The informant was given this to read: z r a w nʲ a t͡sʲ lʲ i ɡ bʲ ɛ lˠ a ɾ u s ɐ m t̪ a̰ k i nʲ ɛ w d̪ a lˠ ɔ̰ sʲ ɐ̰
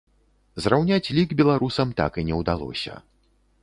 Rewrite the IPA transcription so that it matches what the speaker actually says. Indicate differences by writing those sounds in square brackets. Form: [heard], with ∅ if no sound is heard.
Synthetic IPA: z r a w nʲ a t͡sʲ lʲ i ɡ bʲ ɛ lˠ a ɾ u s ɐ m t̪ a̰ k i nʲ ɛ w d̪ a lˠ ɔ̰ sʲ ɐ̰